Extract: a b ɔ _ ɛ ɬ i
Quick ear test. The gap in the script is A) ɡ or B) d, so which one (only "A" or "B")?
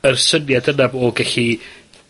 A